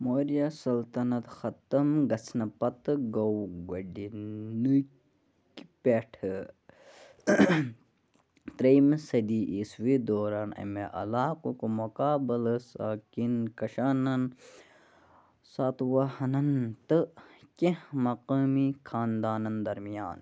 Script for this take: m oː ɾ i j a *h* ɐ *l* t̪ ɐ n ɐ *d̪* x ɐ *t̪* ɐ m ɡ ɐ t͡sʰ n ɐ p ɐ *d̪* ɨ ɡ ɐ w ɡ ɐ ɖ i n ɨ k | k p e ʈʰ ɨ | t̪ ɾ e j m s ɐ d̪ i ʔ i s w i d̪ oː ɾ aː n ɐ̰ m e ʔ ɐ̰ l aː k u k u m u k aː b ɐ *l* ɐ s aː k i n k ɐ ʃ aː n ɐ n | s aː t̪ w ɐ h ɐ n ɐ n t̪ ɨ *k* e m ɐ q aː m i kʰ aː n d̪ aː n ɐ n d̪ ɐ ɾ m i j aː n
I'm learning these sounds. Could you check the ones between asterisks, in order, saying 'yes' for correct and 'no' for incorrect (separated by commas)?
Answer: no, yes, no, yes, no, yes, yes